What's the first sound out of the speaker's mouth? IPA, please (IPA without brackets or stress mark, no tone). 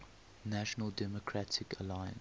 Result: n